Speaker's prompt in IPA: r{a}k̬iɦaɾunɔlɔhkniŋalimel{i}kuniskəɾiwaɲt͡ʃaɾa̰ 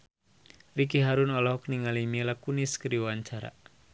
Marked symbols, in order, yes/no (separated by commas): no, no